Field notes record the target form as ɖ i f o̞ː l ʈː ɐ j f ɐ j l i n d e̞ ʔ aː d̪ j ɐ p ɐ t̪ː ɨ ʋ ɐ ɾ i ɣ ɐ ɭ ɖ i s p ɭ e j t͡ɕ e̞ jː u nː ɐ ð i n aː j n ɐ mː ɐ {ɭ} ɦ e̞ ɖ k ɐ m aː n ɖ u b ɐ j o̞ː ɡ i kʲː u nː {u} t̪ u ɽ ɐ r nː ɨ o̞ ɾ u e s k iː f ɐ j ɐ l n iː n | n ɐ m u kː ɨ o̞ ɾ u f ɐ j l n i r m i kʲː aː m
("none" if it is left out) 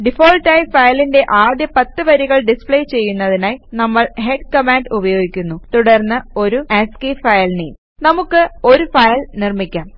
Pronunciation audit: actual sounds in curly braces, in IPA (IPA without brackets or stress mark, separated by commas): ɭ, u